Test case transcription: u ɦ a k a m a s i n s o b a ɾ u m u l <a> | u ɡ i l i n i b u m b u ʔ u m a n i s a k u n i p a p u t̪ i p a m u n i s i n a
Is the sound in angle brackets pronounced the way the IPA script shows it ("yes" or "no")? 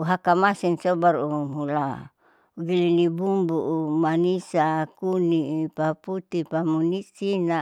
yes